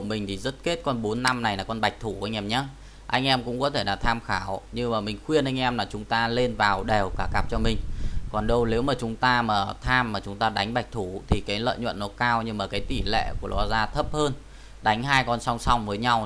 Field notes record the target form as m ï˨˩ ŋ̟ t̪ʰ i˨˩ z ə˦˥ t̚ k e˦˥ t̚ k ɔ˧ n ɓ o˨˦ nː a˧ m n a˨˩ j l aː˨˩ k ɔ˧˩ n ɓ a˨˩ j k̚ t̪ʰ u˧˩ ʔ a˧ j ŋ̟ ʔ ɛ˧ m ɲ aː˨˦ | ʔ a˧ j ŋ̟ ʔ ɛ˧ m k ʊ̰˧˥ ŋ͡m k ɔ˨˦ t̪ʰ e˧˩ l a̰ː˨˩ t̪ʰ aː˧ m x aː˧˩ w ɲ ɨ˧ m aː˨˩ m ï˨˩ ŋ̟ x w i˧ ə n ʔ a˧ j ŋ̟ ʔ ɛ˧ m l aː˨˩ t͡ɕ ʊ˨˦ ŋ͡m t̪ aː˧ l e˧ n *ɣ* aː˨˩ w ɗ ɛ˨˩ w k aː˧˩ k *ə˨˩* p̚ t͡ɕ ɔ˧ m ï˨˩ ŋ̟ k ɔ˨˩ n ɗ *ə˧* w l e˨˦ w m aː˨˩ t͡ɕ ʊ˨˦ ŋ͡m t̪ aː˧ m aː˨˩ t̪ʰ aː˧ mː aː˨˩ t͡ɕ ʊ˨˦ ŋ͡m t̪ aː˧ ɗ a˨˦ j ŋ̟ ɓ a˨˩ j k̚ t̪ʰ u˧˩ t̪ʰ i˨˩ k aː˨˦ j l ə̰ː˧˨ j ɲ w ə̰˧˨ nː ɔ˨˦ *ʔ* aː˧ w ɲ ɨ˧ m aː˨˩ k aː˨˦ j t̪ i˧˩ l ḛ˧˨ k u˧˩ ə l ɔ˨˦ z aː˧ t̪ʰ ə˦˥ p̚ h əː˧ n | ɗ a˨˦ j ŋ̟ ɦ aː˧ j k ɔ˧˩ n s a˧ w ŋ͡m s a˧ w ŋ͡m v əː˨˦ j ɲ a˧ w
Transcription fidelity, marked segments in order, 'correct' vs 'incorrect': incorrect: v, incorrect: a˨˩, correct, incorrect: k

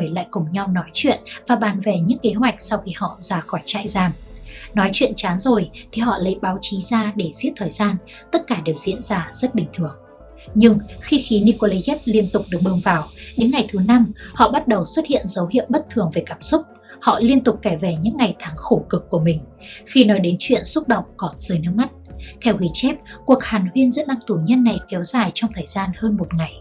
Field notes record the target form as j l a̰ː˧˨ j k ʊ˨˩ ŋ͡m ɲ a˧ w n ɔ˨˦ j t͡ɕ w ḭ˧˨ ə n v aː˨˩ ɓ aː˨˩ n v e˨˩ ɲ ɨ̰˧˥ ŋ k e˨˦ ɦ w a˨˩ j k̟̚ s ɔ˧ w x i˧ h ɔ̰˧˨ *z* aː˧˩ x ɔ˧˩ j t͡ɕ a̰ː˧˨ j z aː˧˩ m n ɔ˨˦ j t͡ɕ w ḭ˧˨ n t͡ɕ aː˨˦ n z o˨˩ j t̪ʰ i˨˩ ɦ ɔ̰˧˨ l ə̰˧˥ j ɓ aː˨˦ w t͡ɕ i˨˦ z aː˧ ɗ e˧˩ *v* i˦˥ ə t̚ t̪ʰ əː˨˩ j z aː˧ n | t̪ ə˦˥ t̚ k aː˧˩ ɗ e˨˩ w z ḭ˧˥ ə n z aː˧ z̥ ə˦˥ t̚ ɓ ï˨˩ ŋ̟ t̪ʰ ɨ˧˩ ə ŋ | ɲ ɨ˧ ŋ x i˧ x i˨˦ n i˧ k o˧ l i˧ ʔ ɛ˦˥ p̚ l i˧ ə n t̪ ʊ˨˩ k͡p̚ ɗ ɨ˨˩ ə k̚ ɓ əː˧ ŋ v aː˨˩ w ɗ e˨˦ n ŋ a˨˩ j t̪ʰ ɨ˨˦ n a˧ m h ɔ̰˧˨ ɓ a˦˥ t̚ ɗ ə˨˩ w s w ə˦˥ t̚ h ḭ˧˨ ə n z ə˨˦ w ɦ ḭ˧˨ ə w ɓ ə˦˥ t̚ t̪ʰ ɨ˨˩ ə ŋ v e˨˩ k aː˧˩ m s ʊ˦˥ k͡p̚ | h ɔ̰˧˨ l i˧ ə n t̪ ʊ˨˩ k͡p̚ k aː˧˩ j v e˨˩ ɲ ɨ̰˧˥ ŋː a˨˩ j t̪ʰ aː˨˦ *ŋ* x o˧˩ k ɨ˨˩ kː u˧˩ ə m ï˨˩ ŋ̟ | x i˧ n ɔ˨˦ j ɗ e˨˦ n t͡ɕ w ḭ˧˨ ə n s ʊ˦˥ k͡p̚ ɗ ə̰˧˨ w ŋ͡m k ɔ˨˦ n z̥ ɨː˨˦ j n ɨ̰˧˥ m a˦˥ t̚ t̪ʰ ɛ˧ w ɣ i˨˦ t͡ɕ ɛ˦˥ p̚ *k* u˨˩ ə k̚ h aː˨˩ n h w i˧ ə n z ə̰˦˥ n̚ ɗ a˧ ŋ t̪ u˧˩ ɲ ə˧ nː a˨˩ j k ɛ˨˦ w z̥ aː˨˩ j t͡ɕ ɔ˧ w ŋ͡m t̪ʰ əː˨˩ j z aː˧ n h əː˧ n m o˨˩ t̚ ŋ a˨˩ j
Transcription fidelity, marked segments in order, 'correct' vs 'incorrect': correct, incorrect: z, correct, correct

